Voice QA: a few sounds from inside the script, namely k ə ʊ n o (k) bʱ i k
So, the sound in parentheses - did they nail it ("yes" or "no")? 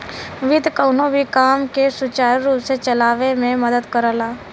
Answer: no